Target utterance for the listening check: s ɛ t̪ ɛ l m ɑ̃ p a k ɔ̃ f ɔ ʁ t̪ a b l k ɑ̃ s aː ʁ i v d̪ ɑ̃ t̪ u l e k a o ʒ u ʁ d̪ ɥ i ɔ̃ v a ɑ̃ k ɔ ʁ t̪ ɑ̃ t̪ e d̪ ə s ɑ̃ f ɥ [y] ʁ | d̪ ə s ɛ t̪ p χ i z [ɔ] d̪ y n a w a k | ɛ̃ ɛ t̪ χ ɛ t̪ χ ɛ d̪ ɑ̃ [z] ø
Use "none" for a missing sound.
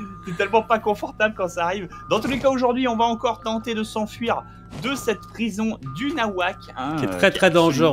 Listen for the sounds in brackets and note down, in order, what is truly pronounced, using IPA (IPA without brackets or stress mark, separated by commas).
i, ɔ̃, ʒ